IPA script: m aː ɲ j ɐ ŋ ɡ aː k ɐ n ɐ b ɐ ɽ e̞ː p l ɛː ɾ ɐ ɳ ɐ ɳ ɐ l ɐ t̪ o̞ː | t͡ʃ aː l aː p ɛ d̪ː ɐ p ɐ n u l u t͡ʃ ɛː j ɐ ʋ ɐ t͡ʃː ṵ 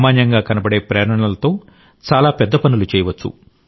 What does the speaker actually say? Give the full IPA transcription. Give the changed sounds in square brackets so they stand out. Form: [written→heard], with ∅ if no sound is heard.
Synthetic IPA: m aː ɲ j ɐ ŋ ɡ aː k ɐ n ɐ b ɐ ɽ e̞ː p [l→ɾ] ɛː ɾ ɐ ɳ ɐ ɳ ɐ l ɐ t̪ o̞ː | t͡ʃ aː l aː p ɛ d̪ː ɐ p ɐ n u l u t͡ʃ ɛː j ɐ ʋ ɐ t͡ʃː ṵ